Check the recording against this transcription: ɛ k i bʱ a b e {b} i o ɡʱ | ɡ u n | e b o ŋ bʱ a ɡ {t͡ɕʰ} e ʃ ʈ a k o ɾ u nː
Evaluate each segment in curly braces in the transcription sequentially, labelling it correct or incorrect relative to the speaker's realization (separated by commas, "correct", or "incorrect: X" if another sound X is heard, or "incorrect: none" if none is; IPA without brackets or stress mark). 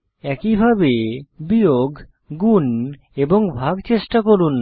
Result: correct, incorrect: t͡ɕ